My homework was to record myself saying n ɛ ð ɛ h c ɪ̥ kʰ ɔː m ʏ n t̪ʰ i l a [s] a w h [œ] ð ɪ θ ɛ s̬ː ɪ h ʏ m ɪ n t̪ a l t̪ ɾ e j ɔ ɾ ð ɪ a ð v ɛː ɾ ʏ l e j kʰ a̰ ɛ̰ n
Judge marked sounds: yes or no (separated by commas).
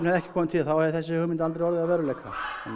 no, no